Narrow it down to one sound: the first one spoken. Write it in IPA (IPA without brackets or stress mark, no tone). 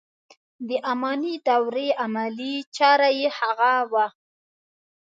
d̪